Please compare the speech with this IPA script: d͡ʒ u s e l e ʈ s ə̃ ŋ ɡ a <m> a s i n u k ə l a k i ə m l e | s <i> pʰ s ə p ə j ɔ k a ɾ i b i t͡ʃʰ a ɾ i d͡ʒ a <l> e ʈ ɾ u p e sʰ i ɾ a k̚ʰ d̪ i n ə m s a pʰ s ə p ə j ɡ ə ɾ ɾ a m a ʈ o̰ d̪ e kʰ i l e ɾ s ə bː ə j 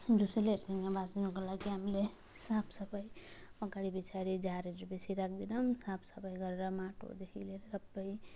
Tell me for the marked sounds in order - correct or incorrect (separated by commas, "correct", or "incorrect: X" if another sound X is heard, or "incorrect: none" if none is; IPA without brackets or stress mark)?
incorrect: b, incorrect: a, incorrect: ɾ